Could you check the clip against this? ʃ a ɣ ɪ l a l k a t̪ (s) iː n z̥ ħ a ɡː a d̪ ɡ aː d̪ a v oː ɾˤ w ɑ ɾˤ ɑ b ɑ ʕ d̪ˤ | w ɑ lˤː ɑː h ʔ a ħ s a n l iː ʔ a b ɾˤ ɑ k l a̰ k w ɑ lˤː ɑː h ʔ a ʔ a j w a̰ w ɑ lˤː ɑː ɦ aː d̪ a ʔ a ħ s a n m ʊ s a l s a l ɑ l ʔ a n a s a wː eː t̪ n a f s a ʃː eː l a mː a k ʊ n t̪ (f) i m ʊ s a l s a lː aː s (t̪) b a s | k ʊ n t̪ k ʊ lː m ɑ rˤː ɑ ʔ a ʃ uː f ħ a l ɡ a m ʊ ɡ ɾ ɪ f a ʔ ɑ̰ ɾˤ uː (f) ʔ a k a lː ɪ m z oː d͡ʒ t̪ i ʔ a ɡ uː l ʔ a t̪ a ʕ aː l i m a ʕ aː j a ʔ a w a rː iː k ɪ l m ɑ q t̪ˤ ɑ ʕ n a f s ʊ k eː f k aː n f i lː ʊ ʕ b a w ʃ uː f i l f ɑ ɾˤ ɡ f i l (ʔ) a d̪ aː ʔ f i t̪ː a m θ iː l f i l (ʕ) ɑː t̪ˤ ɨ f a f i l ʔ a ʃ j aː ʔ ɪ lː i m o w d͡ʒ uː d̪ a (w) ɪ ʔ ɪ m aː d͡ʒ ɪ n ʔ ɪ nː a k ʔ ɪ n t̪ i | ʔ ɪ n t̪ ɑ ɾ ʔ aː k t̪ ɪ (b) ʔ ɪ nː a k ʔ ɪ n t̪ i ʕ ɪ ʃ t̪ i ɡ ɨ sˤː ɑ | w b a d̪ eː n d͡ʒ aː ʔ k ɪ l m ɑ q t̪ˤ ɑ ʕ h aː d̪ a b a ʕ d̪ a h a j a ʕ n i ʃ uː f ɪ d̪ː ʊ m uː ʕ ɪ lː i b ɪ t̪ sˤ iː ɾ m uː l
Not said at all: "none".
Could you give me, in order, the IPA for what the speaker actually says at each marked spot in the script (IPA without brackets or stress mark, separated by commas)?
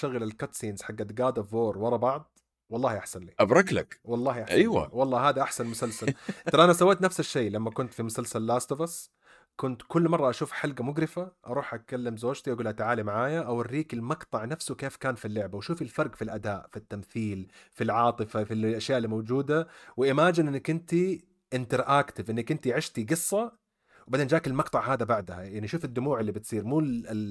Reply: s, f, t̪, ħ, ʔ, ʕ, w, v